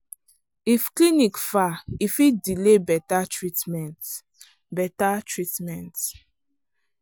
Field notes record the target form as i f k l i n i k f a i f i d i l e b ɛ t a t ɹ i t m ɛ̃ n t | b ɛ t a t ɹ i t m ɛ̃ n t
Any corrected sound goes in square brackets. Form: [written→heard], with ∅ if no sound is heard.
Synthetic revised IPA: i f k l i n i k f a i f i d i l e b ɛ t a t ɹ i t m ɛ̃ n t | b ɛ t a t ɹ i t m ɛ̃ n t